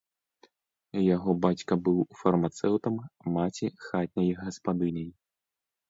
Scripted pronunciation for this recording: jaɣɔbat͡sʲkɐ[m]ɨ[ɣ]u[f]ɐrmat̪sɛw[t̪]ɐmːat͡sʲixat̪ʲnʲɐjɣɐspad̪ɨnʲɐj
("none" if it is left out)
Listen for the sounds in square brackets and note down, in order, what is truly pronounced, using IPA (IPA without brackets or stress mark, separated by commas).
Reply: b, w, f, t̪